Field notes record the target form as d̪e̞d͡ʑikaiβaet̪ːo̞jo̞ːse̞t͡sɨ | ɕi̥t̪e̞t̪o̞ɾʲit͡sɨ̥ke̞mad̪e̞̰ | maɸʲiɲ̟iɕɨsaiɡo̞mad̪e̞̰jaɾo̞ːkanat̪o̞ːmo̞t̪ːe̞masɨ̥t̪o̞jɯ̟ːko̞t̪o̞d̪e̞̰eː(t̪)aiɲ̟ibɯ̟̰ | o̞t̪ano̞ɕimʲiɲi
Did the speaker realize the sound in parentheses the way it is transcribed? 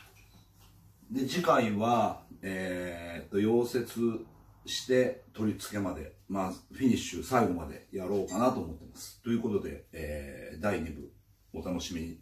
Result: no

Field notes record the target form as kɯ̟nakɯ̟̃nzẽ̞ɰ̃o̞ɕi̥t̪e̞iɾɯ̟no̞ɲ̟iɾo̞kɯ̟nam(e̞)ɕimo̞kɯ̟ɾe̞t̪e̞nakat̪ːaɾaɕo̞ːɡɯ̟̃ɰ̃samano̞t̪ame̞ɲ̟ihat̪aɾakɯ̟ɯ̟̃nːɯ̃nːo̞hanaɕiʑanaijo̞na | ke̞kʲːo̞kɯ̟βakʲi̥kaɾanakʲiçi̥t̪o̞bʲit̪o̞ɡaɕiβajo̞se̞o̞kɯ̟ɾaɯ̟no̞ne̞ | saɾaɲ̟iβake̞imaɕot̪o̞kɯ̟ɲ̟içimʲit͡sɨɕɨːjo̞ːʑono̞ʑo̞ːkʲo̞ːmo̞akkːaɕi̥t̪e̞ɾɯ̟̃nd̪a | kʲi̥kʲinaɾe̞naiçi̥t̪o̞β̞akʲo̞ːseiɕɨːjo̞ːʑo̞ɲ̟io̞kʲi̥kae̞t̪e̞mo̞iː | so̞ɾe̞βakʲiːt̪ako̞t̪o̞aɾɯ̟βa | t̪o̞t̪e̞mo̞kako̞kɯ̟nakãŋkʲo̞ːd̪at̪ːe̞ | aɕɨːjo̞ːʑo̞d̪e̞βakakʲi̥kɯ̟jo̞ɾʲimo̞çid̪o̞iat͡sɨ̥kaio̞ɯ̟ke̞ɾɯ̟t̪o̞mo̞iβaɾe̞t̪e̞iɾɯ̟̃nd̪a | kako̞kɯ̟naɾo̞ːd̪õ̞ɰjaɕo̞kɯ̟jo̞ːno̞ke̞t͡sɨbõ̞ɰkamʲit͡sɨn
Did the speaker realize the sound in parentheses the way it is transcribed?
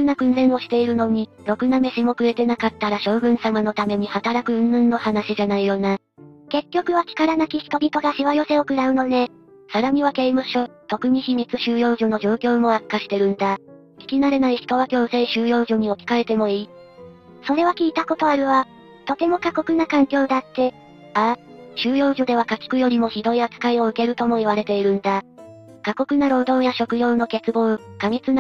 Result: yes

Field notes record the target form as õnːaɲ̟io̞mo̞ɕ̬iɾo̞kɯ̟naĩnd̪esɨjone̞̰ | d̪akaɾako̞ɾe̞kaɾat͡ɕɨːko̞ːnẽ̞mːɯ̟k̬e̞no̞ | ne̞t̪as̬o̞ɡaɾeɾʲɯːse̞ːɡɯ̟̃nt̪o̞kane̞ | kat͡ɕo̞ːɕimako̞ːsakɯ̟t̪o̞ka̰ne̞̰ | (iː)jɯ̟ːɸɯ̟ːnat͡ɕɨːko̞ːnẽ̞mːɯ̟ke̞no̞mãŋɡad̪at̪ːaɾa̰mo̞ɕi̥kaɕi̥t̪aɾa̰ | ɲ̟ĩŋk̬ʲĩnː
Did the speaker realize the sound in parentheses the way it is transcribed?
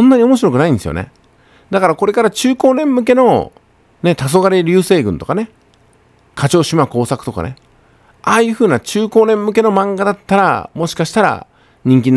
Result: no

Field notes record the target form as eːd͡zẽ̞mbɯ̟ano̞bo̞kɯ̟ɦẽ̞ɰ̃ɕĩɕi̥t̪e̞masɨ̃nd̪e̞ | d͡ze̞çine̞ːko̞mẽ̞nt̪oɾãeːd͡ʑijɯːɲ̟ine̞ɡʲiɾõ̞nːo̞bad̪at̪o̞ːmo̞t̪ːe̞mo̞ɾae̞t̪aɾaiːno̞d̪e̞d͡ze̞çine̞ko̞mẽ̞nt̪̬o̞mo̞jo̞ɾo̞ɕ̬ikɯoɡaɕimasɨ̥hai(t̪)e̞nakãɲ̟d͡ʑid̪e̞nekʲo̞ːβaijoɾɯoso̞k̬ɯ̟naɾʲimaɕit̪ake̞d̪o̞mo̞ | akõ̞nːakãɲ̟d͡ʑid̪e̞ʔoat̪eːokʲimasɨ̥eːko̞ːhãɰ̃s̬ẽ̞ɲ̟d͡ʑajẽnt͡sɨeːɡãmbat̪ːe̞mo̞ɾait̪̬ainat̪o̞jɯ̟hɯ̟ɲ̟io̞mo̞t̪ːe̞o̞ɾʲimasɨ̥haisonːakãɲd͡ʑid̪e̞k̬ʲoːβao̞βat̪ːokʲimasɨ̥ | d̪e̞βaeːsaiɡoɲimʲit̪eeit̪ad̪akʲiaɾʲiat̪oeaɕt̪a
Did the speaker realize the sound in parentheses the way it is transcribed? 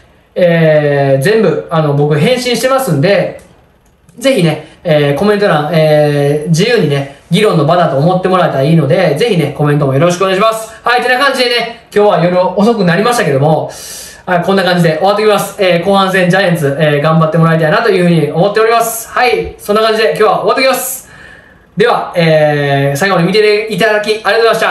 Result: yes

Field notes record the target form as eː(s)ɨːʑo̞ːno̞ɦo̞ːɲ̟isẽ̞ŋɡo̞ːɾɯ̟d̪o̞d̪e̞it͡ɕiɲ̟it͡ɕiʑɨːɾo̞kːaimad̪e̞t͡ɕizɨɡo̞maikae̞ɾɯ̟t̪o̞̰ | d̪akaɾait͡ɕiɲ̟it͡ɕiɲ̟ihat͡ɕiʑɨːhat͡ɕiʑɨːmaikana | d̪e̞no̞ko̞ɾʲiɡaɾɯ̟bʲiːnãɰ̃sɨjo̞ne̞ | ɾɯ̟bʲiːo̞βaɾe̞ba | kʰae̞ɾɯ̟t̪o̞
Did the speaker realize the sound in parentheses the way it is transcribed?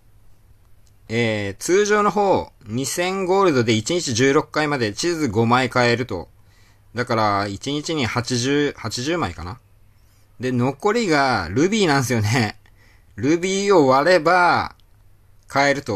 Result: no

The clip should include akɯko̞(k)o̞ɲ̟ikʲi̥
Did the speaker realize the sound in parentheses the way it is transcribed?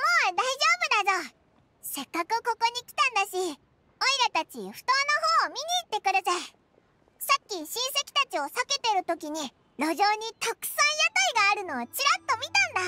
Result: yes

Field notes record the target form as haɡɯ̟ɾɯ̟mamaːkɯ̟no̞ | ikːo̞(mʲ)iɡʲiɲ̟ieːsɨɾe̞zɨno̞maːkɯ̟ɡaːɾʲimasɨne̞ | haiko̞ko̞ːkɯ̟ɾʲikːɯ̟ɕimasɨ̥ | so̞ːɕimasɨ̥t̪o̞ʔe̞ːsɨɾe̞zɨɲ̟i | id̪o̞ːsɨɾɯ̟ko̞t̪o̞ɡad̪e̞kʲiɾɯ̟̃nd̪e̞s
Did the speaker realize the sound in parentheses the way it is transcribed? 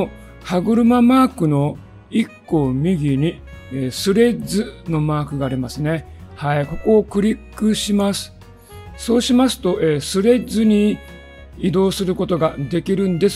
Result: yes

